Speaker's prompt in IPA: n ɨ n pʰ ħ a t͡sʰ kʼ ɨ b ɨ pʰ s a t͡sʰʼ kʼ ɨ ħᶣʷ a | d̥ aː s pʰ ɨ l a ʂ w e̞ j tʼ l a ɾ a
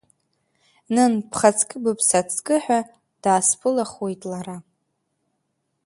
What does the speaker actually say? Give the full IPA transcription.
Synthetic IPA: n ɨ n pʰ χ a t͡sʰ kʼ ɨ b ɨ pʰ s a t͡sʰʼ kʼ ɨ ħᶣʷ a | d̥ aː s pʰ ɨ l a χ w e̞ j tʼ l a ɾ a